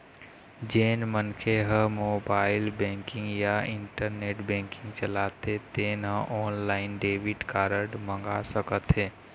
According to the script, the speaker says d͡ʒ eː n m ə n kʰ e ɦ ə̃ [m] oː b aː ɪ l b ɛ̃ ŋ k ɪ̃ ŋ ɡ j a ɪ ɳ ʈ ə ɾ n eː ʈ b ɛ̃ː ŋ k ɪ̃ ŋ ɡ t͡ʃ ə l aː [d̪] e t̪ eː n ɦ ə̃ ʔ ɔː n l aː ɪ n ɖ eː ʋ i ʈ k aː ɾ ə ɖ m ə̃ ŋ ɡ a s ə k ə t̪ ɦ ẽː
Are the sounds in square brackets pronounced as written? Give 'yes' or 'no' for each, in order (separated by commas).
yes, no